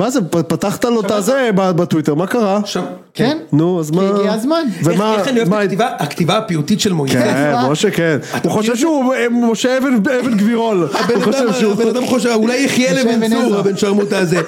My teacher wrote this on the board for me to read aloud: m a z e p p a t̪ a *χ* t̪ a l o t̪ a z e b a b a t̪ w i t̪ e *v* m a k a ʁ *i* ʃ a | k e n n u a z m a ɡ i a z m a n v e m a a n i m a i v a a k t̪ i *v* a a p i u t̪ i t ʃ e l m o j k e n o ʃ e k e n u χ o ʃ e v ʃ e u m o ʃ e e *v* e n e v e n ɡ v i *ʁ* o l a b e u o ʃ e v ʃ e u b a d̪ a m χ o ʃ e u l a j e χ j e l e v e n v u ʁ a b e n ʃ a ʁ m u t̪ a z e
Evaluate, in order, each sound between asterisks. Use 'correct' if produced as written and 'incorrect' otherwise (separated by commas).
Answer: correct, incorrect, incorrect, correct, correct, correct